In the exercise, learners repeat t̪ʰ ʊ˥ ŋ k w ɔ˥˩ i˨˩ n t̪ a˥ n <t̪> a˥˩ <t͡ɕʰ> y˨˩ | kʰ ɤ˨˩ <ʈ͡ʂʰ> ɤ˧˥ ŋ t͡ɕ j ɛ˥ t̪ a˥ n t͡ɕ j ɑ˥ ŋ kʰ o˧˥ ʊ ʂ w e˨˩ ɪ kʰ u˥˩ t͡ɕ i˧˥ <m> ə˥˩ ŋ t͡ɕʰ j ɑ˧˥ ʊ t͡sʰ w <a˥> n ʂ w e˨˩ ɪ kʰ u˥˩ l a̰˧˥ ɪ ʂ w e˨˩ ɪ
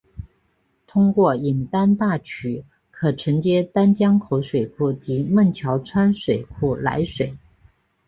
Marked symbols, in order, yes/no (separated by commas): yes, yes, yes, yes, yes